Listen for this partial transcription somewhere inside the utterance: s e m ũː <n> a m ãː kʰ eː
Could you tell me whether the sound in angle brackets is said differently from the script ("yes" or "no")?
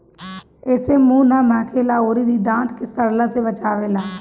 no